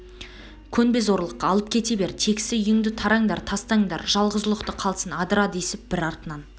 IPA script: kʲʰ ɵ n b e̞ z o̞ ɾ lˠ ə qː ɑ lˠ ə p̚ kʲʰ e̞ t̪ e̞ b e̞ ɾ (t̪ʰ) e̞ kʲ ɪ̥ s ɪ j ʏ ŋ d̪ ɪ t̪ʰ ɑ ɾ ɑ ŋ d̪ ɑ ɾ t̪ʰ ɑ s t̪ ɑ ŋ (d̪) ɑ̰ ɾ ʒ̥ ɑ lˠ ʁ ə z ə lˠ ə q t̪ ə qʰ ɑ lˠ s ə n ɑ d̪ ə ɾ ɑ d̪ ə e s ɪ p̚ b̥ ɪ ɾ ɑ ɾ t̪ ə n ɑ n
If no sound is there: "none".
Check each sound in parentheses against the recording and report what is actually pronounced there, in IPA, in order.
t̪ʰ, d̪

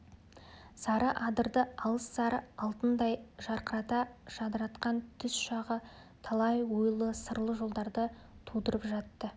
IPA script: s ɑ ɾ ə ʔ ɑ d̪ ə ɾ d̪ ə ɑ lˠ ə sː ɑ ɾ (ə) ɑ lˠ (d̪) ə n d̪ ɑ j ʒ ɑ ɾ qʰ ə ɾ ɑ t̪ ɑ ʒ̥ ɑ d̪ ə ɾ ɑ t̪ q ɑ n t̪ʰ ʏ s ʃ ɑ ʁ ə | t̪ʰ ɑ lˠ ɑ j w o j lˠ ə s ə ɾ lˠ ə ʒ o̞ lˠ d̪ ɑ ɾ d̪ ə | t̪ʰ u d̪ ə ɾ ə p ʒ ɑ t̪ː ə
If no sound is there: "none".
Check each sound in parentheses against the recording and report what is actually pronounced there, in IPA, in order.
ə, t̪

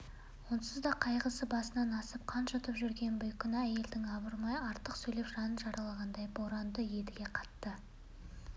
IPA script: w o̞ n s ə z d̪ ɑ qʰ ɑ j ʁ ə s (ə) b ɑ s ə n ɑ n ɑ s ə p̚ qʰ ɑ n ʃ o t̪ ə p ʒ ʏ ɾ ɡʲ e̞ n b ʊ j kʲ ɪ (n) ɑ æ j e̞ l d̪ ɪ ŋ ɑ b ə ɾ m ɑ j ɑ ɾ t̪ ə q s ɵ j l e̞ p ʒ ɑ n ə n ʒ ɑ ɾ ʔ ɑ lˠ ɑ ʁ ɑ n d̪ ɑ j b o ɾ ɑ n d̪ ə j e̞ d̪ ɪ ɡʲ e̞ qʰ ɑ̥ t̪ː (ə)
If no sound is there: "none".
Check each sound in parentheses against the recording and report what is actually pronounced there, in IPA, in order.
ə, n, ə

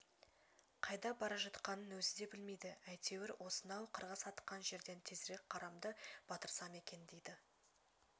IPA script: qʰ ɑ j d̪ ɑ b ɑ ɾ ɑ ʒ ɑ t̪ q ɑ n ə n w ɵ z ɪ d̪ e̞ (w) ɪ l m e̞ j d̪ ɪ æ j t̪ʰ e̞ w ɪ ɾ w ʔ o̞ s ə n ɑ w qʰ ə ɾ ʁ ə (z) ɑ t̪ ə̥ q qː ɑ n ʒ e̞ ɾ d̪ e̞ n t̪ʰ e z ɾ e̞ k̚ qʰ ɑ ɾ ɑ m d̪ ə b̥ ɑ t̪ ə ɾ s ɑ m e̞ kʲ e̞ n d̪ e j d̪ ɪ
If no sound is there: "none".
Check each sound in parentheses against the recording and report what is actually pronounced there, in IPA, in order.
b, s

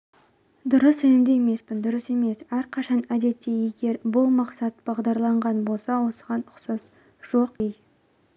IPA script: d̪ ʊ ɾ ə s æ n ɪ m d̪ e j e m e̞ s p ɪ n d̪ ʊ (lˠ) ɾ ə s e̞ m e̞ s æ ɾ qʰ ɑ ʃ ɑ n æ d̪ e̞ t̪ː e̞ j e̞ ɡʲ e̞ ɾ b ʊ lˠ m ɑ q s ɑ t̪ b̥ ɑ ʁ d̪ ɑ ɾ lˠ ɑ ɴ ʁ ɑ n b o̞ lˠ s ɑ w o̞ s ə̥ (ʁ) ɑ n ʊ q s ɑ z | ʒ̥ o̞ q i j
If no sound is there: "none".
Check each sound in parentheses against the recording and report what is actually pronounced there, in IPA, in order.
none, ʁ

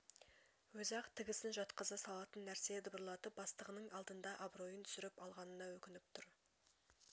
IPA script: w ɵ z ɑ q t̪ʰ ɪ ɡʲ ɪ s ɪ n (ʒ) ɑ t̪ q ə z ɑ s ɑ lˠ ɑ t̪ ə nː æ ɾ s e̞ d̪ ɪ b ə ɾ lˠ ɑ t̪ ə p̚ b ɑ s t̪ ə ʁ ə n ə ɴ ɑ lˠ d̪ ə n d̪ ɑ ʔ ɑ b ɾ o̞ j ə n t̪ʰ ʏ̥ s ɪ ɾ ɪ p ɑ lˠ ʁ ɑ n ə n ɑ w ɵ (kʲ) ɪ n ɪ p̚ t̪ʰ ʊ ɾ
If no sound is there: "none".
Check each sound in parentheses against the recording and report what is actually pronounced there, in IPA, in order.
ʒ, kʲ

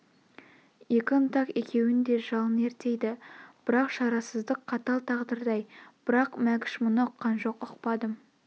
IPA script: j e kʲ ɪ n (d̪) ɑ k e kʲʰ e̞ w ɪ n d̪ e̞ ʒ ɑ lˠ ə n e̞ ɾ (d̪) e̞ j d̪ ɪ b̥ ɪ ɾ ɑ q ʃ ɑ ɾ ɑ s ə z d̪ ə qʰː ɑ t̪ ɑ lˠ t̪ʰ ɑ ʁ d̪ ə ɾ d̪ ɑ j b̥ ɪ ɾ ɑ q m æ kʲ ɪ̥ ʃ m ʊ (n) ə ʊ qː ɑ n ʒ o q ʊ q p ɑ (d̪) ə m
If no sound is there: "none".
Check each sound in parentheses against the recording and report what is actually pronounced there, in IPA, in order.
t̪, t̪, n, d̪

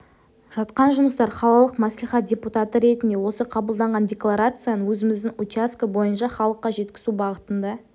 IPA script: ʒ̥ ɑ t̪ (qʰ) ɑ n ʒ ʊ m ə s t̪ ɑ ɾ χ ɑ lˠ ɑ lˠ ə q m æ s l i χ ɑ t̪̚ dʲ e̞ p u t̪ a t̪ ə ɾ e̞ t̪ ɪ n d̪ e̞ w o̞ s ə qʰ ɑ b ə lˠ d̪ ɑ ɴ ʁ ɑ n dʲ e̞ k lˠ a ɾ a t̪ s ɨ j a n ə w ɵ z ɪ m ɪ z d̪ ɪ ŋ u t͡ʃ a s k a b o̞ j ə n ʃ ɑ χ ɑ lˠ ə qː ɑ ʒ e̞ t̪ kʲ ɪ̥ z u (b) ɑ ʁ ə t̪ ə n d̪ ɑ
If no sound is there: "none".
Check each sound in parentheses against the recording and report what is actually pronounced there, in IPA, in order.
q, b

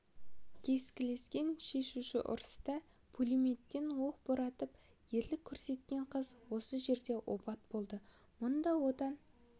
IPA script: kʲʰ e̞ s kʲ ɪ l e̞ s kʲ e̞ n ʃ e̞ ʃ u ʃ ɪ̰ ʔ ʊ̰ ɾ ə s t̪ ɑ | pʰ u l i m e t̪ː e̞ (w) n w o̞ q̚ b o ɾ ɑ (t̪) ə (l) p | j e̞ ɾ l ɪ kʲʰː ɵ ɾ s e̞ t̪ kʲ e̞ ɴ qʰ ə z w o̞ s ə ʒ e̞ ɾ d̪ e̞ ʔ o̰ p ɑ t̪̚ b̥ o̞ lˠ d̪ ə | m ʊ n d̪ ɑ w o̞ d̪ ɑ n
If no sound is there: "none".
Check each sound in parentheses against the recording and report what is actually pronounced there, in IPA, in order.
none, t̪, none

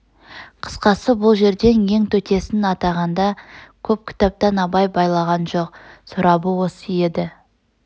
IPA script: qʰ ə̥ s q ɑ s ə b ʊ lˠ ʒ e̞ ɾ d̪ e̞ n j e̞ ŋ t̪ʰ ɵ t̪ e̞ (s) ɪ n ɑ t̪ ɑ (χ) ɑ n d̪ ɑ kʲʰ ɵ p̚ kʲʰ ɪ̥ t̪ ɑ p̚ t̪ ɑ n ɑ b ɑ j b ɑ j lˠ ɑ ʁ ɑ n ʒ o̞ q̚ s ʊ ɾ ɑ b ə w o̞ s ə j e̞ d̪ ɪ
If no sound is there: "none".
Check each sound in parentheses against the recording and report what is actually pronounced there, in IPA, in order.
s, ʁ

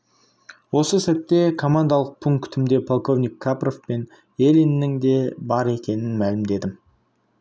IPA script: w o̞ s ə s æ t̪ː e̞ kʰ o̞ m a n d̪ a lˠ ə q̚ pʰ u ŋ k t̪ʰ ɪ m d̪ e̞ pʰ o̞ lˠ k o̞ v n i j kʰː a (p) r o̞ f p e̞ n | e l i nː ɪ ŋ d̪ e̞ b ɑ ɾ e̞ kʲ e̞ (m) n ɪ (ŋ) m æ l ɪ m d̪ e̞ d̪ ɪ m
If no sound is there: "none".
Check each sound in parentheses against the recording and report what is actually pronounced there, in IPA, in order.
p, none, n

